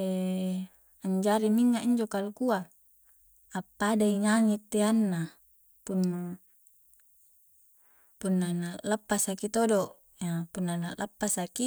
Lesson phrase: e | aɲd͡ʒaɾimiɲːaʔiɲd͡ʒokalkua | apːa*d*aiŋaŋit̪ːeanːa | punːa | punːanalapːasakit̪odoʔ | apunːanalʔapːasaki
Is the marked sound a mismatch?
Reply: no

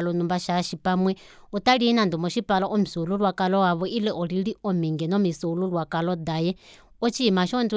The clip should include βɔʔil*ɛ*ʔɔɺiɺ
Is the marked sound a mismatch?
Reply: no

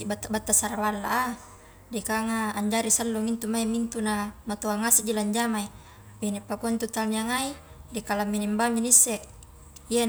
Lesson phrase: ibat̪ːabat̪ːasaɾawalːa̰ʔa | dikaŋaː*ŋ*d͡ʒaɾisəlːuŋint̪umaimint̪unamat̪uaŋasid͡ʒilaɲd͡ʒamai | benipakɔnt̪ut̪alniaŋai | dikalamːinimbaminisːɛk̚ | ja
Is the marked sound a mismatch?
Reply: yes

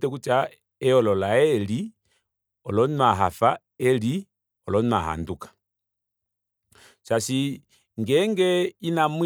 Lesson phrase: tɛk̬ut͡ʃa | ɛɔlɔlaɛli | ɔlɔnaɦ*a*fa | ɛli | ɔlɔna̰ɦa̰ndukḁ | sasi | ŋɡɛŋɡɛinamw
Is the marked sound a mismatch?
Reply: no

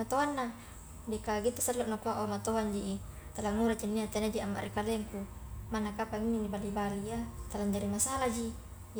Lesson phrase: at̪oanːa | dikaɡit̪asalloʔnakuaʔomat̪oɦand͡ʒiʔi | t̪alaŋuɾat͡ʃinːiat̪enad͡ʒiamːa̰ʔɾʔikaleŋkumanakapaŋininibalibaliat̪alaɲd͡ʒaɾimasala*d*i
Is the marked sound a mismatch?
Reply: yes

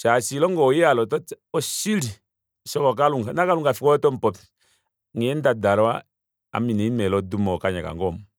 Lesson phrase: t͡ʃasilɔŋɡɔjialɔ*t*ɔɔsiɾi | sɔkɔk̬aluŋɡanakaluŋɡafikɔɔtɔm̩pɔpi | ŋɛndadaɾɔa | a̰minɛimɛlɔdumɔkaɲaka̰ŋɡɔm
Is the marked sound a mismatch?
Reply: no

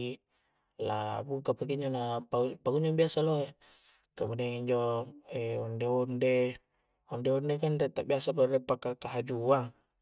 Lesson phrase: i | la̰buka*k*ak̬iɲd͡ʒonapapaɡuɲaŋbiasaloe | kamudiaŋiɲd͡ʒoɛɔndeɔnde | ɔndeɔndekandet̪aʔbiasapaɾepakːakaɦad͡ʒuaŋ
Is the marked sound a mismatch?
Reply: yes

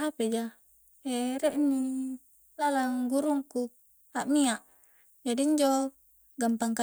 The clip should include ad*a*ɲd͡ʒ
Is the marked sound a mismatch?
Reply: yes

